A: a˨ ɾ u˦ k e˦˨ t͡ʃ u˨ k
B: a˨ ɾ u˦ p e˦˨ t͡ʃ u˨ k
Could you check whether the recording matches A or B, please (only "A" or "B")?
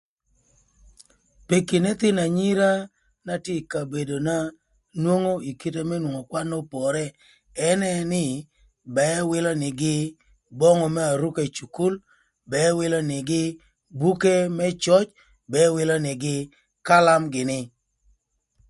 A